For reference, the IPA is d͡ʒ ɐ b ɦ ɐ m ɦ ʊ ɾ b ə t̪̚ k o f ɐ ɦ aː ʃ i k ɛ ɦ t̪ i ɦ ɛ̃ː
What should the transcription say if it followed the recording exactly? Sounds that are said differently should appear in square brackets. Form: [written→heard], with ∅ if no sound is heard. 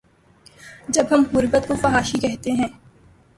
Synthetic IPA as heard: d͡ʒ ɐ b ɦ ɐ m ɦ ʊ ɾ b ə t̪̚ k o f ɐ ɦ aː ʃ i k ɛ ɦ t̪ [i→e] ɦ ɛ̃ː